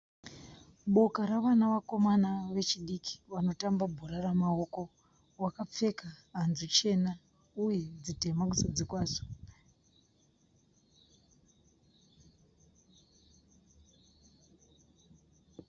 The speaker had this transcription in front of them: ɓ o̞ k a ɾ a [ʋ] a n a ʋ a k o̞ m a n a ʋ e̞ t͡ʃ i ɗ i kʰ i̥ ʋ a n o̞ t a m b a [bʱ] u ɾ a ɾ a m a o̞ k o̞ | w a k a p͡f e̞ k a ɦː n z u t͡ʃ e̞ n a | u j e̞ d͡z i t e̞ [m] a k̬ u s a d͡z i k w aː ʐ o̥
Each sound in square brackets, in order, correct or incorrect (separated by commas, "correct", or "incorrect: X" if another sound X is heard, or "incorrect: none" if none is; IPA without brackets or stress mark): correct, correct, correct